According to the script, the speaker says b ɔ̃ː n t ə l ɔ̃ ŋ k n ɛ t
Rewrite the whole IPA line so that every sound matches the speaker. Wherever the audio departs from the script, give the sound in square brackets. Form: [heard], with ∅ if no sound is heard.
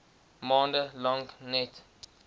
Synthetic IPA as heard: [m] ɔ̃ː n [d] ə l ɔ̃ ŋ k n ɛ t